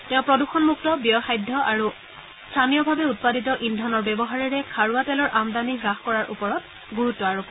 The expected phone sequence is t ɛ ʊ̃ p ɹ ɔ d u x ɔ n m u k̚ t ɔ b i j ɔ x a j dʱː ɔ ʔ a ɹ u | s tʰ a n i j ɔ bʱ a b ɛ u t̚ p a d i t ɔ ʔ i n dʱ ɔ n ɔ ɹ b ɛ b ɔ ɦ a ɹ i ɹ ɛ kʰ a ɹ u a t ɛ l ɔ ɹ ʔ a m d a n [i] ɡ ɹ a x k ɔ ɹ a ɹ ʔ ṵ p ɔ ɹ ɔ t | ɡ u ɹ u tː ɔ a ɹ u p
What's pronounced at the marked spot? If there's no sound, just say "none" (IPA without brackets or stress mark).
i